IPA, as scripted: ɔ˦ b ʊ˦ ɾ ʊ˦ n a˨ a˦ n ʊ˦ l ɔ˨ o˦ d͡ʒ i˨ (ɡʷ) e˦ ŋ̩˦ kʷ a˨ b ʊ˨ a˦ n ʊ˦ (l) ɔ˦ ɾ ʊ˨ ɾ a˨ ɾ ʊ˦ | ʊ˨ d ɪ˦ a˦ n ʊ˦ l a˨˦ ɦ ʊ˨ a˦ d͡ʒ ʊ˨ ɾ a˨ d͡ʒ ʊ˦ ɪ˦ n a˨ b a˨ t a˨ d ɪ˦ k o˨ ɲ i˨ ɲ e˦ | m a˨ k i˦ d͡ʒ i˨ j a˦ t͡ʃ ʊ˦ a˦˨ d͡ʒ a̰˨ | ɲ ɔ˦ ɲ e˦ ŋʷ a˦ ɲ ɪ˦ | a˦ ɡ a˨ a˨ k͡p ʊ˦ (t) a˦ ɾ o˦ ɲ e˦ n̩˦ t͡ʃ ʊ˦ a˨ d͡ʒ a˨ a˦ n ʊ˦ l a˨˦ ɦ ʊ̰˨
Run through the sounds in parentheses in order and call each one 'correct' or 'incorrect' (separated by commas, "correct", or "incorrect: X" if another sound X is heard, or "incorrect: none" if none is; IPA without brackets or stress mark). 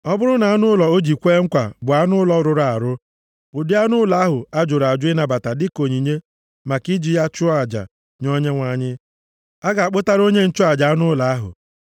incorrect: kʷ, correct, correct